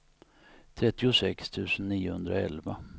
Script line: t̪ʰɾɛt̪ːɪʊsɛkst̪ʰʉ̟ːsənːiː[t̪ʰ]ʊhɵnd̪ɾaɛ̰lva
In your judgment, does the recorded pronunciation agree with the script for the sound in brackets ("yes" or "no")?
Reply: no